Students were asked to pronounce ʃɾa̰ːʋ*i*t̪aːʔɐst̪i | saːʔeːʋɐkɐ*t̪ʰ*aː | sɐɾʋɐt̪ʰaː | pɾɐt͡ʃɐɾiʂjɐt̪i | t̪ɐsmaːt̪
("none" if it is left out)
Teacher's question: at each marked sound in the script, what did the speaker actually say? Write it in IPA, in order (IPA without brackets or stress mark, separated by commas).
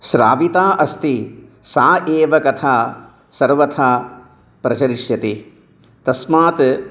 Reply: i, t̪ʰ